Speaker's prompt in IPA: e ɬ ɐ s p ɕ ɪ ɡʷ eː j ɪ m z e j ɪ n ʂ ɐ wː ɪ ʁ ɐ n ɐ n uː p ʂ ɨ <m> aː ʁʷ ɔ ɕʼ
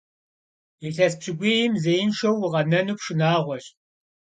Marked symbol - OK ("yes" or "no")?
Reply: no